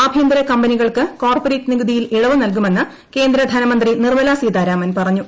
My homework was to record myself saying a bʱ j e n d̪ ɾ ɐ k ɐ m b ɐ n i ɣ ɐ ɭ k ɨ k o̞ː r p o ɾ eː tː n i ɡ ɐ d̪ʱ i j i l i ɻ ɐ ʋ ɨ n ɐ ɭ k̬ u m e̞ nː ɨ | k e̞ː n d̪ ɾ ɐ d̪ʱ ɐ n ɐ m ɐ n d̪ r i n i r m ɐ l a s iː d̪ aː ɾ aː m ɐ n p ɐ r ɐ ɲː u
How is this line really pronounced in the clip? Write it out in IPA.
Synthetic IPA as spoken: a bʱ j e n d̪ ɾ ɐ k ɐ m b ɐ n i ɣ ɐ ɭ k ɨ k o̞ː r p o ɾ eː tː n i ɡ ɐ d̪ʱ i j i l i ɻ ɐ ʋ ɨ n ɐ l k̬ u m e̞ nː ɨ | k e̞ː n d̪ ɾ ɐ d̪ʱ ɐ n ɐ m ɐ n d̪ r i n i r m ɐ l a s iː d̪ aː ɾ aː m ɐ n p ɐ r ɐ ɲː u